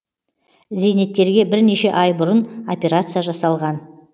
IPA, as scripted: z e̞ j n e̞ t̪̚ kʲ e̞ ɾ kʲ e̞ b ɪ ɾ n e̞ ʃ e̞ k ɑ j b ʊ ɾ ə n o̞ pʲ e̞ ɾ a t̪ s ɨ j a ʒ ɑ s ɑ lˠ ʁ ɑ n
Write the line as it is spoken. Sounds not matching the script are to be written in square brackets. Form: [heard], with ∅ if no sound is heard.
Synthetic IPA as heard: z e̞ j n e̞ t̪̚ kʲ e̞ ɾ [ɡʲ] e̞ b ɪ ɾ n e̞ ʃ e̞ [ʔ] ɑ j b ʊ ɾ ə n o̞ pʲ e̞ ɾ a t̪ s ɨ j a ʒ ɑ s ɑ lˠ ʁ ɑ n